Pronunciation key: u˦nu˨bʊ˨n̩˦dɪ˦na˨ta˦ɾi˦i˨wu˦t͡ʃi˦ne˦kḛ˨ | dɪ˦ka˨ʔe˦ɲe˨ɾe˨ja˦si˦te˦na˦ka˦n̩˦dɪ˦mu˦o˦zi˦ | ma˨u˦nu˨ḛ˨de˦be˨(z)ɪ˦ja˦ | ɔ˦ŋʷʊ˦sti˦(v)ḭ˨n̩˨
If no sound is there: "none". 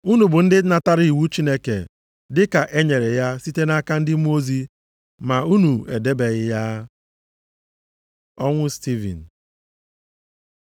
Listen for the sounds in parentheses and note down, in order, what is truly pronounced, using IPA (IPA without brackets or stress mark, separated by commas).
ɣ, v